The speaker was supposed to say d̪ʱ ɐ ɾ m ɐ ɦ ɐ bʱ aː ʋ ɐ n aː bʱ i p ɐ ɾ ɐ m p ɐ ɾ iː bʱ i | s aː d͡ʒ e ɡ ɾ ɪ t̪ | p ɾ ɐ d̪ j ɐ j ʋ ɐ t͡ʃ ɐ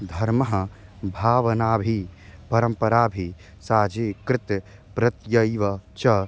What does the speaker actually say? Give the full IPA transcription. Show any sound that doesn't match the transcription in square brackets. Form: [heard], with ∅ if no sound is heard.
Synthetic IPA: d̪ʱ ɐ ɾ m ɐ ɦ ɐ bʱ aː ʋ ɐ n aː bʱ i p ɐ ɾ ɐ m p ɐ ɾ [aː] bʱ i | s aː d͡ʒ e [k] ɾ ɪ t̪ | p ɾ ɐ [t̪] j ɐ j ʋ ɐ t͡ʃ ɐ